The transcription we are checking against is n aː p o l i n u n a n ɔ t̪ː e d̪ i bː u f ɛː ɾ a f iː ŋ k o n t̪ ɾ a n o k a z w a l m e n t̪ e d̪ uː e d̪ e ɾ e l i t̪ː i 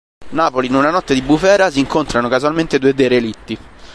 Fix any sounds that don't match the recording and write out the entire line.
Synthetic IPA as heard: n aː p o l i n u n a n ɔ t̪ː e d̪ i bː u f ɛː ɾ a s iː ŋ k o n t̪ ɾ a n o k a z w a l m e n t̪ e d̪ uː e d̪ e ɾ e l i t̪ː i